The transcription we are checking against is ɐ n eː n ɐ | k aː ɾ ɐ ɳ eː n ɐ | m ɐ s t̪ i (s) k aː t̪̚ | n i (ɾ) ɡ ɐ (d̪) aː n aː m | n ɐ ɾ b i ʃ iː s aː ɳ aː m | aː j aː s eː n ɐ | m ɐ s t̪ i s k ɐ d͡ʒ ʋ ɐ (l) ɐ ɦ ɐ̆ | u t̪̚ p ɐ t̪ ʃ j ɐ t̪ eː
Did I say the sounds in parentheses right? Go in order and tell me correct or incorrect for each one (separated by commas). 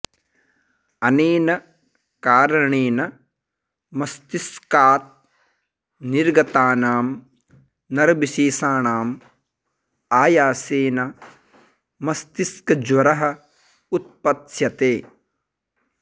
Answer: correct, correct, incorrect, incorrect